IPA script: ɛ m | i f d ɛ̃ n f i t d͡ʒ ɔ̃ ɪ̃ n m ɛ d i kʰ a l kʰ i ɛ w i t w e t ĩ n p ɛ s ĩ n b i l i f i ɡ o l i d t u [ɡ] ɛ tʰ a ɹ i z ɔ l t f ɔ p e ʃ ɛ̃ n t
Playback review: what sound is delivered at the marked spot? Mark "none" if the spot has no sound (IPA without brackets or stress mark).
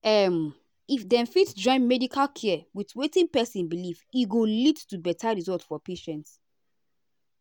b